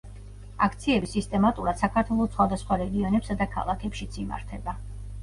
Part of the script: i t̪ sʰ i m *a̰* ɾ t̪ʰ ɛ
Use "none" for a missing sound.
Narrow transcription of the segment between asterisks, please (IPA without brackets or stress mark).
a̰